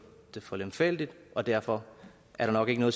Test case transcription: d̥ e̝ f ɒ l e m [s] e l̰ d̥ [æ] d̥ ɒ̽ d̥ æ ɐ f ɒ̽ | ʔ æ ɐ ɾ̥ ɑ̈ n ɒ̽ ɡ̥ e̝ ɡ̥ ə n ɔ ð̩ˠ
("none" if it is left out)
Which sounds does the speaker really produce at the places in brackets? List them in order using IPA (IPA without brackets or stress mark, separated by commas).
f, i